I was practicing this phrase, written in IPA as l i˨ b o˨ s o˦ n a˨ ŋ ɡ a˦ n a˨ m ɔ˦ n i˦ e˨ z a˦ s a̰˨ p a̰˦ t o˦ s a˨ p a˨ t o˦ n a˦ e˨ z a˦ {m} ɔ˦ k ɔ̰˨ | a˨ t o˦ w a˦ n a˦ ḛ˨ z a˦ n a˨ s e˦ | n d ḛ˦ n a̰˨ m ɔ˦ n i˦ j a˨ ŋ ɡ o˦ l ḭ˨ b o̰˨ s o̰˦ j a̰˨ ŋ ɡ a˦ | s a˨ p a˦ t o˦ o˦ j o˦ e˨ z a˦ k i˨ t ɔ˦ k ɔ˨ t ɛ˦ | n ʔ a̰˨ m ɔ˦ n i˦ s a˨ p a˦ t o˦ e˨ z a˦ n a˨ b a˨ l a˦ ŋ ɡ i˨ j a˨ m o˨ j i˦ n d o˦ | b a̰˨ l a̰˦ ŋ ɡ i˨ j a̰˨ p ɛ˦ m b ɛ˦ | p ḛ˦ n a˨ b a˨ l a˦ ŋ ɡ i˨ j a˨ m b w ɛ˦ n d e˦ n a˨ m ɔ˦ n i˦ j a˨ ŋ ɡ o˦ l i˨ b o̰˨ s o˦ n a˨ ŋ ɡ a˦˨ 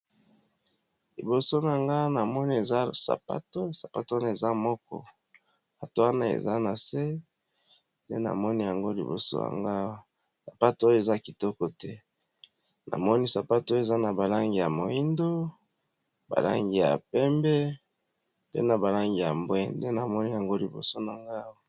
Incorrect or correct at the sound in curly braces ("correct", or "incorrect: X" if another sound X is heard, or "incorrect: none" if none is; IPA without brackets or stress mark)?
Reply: correct